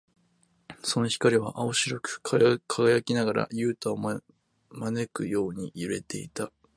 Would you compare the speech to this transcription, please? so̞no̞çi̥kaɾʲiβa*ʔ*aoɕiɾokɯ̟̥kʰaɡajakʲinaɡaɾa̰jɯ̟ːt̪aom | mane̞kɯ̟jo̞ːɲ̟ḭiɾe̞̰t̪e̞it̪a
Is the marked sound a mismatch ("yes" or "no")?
no